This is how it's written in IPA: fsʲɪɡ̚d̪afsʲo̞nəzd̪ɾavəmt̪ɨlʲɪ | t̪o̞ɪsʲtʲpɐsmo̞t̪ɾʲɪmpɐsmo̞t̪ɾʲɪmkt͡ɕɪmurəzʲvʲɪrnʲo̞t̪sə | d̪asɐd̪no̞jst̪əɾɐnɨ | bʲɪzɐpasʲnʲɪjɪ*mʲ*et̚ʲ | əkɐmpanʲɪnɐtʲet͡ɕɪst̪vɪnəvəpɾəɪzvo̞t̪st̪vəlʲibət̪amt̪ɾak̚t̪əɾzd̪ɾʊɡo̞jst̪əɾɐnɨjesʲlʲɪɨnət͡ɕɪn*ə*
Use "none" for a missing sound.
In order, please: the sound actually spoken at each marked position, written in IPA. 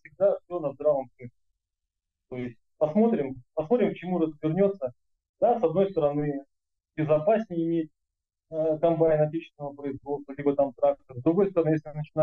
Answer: mʲ, a

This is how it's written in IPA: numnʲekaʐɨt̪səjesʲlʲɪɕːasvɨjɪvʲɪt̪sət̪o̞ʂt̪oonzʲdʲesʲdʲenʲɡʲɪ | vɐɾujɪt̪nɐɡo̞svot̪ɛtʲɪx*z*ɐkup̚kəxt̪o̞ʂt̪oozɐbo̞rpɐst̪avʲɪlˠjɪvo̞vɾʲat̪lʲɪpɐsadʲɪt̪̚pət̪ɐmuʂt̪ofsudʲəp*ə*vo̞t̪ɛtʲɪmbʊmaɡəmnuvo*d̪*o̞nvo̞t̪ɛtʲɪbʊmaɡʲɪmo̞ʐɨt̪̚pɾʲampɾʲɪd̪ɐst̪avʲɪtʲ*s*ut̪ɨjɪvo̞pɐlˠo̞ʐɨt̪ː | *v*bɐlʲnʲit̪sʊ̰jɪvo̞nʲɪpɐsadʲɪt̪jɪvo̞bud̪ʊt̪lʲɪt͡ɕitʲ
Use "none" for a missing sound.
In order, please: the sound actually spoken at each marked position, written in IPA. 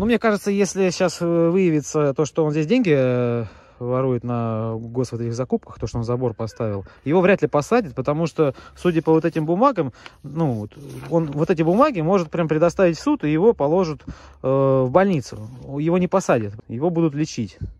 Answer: z, ə, t̪, s, v

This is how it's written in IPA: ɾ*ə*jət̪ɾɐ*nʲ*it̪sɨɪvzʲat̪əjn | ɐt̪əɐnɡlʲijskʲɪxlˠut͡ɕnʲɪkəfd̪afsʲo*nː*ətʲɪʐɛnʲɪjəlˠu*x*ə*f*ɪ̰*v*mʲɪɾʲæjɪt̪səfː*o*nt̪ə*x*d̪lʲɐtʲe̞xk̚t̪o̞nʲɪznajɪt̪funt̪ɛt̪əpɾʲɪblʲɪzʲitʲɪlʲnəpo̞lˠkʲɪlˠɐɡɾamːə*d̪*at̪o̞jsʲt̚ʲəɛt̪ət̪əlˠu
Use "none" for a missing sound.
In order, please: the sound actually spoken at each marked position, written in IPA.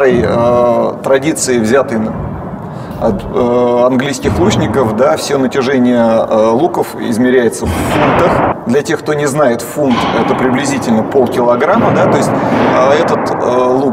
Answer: ə, dʲ, n, k, f, z, u, x, d̪

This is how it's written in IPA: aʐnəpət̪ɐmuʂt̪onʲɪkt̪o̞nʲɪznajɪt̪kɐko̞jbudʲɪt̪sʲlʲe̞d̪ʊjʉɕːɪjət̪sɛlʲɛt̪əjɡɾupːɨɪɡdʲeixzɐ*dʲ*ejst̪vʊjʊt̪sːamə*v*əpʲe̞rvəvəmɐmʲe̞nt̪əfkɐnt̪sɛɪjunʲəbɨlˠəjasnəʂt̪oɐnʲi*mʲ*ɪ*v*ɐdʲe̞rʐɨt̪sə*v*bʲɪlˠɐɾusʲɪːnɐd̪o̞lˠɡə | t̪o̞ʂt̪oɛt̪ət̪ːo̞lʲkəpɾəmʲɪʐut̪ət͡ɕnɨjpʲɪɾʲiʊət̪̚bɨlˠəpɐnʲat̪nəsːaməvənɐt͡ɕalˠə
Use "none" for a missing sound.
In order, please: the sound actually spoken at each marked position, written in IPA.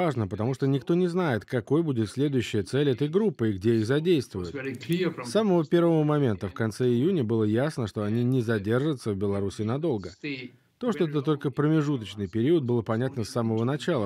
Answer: dʲ, v, nʲ, z, v

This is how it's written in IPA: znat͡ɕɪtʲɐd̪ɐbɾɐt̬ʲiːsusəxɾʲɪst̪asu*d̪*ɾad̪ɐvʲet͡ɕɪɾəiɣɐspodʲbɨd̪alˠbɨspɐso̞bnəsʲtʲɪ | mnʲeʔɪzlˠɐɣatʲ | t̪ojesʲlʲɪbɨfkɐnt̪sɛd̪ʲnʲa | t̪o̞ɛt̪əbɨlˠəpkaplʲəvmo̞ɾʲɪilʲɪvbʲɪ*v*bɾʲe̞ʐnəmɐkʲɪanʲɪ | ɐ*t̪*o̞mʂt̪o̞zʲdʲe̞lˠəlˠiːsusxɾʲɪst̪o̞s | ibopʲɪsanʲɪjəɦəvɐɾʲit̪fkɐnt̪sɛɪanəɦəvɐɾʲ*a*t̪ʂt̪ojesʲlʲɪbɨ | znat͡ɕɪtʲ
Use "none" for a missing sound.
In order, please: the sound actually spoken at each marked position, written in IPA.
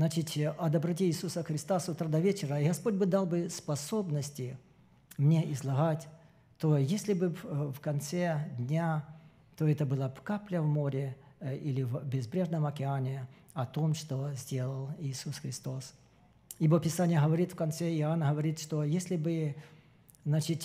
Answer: t̪, z, t̪, i

